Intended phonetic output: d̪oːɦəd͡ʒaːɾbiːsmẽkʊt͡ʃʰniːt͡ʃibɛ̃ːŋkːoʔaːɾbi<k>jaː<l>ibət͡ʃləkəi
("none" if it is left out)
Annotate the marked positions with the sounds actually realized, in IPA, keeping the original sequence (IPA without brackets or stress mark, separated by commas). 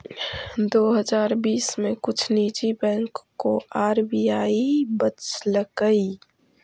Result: none, none